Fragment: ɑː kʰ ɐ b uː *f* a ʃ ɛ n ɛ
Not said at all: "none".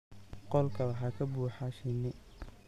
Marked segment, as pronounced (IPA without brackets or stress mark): ħ